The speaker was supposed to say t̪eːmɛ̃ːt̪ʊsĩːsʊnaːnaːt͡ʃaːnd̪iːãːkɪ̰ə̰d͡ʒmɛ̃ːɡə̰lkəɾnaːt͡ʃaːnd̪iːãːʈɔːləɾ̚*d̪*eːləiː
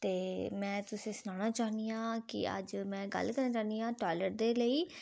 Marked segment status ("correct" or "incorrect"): correct